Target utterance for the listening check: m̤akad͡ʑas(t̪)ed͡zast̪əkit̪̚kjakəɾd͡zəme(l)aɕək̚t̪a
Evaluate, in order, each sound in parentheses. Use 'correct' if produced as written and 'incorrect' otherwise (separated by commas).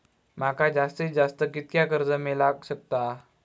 correct, correct